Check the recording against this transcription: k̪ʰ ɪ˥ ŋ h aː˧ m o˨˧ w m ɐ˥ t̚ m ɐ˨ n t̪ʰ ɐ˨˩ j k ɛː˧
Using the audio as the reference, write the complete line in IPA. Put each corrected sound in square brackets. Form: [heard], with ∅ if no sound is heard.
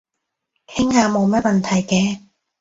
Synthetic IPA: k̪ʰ ɪ˥ ŋ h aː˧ m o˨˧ w m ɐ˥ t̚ m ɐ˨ n t̪ʰ ɐ˨˩ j k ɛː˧